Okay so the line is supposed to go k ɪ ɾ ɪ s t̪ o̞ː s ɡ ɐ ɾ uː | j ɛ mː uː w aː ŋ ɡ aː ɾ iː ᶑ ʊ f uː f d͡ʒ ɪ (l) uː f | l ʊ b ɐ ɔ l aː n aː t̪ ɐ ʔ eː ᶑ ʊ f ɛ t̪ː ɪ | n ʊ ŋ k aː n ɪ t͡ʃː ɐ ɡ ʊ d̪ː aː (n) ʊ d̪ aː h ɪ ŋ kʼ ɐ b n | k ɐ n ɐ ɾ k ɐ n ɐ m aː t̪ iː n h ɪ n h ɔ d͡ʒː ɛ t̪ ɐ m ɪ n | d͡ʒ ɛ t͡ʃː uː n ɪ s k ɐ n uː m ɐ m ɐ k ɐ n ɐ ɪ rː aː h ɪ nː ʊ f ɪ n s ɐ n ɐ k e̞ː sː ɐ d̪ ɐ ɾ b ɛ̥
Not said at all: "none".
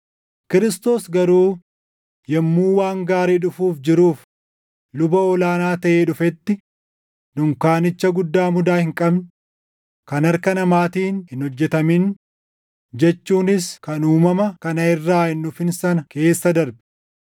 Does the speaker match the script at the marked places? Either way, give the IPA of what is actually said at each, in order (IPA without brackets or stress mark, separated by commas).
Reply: ɾ, m